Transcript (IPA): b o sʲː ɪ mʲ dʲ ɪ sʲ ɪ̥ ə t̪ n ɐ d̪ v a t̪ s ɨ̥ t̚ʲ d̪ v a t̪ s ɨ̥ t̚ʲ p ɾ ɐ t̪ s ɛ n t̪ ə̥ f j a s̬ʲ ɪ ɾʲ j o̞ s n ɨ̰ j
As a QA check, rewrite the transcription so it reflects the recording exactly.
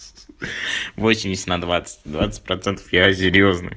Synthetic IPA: v o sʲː ɪ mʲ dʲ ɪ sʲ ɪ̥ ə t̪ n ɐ d̪ v a t̪ s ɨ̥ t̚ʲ d̪ v a t̪ s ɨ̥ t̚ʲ p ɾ ɐ t̪ s ɛ n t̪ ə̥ f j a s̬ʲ ɪ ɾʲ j o̞ z n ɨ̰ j

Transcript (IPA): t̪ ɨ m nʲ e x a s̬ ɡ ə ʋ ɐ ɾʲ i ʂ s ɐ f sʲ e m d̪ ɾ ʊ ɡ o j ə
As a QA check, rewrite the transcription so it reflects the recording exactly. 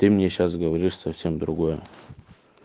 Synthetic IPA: t̪ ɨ m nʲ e ɕ a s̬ ɡ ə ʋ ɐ ɾʲ i ʂ s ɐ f sʲ e m d̪ ɾ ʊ ɡ o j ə

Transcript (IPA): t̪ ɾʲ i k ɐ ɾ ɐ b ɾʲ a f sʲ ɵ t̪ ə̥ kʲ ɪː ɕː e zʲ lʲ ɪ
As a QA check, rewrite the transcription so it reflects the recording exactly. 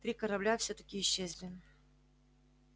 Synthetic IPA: t̪ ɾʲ i k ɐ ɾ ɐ b lʲ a f sʲ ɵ t̪ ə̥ kʲ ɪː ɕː e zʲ lʲ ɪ

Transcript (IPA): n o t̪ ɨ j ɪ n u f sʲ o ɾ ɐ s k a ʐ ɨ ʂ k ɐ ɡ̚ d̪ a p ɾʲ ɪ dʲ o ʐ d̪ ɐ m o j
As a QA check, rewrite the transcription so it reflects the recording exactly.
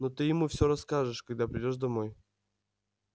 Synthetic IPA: n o t̪ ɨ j ɪ m u f sʲ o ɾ ɐ s k a ʐ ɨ ʂ k ɐ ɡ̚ d̪ a p ɾʲ ɪ dʲ o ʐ d̪ ɐ m o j

